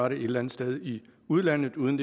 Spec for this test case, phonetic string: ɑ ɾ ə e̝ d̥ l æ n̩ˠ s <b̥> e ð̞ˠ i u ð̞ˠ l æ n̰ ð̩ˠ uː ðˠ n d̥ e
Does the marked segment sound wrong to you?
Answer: yes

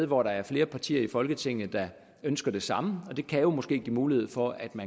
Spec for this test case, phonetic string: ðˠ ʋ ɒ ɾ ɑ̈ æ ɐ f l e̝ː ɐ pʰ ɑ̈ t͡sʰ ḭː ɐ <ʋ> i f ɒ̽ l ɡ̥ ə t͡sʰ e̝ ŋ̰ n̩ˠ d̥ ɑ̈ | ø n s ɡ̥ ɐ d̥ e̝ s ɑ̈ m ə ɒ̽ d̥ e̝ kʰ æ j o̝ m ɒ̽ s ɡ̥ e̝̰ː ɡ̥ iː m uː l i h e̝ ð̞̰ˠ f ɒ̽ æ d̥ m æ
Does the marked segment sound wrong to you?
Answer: yes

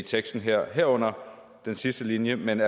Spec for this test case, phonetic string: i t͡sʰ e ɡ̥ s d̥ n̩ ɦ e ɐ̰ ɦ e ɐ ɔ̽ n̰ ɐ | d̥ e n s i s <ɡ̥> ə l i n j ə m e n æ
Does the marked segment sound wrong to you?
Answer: yes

